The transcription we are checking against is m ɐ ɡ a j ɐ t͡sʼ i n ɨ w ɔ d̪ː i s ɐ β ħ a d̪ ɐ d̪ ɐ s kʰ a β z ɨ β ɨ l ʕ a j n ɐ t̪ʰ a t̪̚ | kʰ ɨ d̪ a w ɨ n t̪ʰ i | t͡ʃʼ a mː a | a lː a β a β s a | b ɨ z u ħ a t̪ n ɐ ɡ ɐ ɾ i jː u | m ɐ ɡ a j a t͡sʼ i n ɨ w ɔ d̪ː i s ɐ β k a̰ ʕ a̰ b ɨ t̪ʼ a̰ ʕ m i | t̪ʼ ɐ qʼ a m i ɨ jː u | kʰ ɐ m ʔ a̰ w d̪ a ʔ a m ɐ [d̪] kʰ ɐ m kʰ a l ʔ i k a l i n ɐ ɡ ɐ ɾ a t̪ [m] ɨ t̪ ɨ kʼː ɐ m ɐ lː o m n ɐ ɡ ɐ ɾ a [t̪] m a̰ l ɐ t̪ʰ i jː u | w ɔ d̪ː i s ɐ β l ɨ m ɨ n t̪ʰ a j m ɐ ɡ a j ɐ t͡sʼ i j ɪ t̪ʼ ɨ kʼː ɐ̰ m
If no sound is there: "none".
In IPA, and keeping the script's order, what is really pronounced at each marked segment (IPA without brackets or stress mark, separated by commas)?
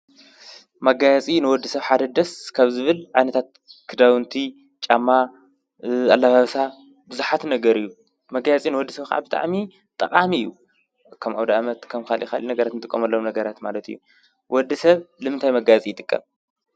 t̪, n, t̪